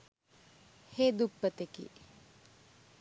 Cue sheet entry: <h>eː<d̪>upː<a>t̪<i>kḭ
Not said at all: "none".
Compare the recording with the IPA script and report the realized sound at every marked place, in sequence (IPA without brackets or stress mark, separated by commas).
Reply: h, d̪, ə, e